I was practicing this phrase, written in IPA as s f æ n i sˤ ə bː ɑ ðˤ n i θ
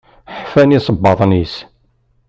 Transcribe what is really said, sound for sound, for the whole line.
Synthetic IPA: ħ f æ n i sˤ ə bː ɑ ðˤ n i s